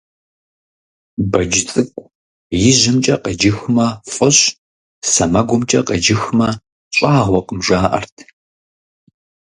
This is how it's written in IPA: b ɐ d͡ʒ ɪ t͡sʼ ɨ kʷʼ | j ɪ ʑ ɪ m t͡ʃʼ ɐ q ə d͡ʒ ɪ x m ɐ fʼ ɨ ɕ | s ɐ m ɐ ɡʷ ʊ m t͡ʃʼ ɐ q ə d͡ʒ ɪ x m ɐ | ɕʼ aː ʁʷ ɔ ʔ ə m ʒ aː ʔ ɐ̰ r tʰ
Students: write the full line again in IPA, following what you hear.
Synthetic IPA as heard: b ɐ d͡ʒ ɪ t͡sʼ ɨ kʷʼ | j ɪ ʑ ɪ m t͡ʃʼ ɐ q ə d͡ʒ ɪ x m ɐ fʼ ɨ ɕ | s ɐ m ɐ ɡʷ ʊ m t͡ʃʼ ɐ q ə d͡ʒ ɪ x m ɐ | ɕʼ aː ʁʷ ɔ q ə m ʒ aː ʔ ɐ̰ r tʰ